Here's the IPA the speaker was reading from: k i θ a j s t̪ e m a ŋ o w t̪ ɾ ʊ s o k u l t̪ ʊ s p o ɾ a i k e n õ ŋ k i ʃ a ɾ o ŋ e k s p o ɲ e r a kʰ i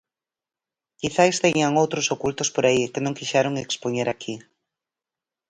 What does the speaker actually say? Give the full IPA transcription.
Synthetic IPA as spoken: k i θ a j s t̪ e ɲ a ŋ o w t̪ ɾ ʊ s o k u l t̪ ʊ s p o ɾ a i k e n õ ŋ k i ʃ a ɾ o ŋ e k s p o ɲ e ɾ a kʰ i